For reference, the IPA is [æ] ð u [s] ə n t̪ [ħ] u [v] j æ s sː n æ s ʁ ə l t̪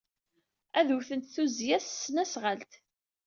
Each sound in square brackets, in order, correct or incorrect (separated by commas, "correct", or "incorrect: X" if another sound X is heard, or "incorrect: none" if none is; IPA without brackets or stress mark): correct, incorrect: θ, incorrect: θ, incorrect: z